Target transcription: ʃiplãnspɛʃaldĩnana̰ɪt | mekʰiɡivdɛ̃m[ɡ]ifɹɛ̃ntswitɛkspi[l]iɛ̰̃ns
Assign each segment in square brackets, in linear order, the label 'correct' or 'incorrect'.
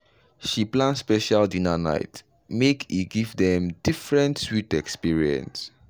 incorrect, incorrect

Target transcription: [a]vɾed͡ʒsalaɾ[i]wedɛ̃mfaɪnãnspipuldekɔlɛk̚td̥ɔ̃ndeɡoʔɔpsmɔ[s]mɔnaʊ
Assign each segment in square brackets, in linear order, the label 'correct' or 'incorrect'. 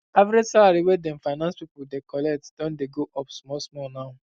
correct, correct, correct

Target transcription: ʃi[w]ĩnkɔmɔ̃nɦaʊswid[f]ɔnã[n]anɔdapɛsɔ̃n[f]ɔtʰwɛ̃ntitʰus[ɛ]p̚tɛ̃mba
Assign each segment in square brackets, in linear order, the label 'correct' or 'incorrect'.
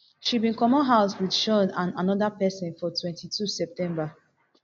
incorrect, incorrect, correct, correct, correct

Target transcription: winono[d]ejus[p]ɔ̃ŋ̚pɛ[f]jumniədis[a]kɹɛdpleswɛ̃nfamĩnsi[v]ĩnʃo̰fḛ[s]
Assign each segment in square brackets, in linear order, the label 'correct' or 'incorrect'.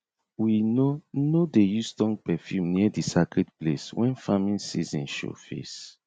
correct, incorrect, correct, correct, incorrect, correct

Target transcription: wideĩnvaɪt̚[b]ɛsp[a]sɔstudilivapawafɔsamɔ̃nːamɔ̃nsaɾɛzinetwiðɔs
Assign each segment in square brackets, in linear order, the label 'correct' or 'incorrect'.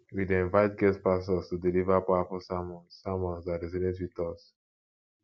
incorrect, correct

